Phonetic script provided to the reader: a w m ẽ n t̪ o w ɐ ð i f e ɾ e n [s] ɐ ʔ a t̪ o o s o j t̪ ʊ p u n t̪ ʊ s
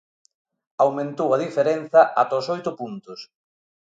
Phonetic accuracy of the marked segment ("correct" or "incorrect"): incorrect